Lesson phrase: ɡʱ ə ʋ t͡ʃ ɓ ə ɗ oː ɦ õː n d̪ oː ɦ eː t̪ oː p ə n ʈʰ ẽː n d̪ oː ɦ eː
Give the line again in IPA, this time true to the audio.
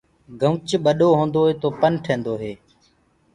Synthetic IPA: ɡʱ ə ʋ t͡ʃ ɓ ə ɗ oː ɦ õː n d̪ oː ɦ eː t̪ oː p ə n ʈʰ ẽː n d̪ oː ɦ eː